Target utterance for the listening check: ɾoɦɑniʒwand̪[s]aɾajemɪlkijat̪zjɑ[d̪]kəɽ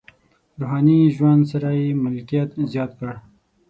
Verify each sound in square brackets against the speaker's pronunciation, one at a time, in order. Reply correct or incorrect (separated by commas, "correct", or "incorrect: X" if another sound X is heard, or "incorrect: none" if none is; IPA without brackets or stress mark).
correct, incorrect: t̪